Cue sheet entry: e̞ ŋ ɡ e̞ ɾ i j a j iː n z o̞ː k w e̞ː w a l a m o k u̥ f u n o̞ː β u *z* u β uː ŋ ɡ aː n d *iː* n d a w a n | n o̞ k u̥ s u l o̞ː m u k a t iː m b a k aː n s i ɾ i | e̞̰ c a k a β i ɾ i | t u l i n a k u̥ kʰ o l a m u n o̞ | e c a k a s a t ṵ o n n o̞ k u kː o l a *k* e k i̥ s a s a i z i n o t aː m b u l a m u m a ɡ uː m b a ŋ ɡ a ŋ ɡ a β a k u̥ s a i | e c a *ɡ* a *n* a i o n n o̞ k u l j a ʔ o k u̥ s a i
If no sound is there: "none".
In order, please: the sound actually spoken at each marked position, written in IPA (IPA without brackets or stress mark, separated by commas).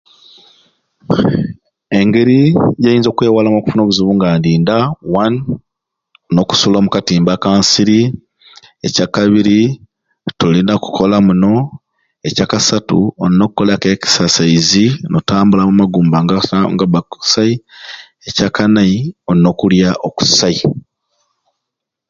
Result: z, iː, k, k, n